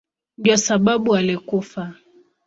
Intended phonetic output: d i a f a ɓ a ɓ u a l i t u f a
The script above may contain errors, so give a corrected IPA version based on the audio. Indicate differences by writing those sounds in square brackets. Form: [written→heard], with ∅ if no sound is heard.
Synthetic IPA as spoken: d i a [f→s] a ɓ a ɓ u a l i [t→k] u f a